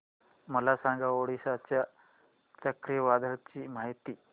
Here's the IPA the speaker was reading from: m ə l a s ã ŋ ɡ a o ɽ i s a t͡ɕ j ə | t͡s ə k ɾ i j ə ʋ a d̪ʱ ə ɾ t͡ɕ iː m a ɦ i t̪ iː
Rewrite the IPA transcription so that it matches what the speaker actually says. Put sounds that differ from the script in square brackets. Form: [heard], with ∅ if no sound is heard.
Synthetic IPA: m ə l a s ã ŋ ɡ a o ɽ i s a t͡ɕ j [a] | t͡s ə k ɾ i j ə ʋ a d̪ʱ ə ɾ t͡ɕ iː m a ɦ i t̪ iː